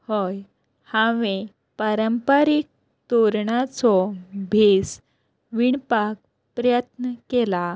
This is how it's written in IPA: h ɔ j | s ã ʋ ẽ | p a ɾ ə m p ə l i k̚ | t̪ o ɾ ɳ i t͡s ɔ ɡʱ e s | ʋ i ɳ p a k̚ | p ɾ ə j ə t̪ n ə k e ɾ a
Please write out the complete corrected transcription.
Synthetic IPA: h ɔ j | h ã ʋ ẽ | p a ɾ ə m p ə ɾ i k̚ | t̪ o ɾ ɳ a t͡s ɔ bʱ e s | ʋ i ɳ p a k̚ | p ɾ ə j ə t̪ n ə k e l a